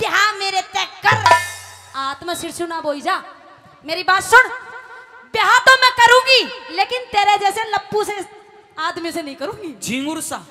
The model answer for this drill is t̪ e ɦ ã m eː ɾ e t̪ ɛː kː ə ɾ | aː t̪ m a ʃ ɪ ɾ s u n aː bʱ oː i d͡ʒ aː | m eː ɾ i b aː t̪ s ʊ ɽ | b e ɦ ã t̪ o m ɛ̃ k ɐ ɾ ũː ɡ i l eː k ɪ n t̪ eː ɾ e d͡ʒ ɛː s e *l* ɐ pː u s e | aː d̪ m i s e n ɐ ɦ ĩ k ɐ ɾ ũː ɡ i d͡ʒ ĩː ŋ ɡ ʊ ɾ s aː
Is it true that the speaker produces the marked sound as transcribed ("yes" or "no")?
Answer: yes